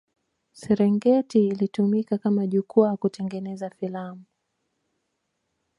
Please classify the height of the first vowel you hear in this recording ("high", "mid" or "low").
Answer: mid